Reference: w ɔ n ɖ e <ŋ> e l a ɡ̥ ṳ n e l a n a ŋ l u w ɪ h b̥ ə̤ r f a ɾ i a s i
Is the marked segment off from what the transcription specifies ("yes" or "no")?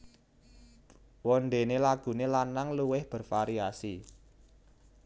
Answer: yes